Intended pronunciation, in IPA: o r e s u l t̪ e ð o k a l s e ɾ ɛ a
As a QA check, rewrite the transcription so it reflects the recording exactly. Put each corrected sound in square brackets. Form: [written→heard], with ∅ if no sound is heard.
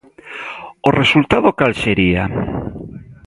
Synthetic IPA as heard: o r e s u l t̪ [e→a] ð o k a l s e ɾ [ɛ→i] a